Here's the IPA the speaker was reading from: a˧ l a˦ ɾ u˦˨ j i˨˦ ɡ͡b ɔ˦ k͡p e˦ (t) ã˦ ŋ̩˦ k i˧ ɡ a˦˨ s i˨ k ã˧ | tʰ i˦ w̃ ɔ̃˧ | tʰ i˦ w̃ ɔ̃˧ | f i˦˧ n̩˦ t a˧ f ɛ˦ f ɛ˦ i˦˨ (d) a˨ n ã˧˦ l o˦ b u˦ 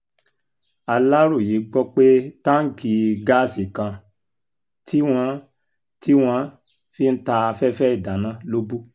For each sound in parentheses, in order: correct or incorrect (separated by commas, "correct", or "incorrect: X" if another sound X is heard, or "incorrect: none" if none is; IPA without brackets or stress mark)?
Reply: correct, correct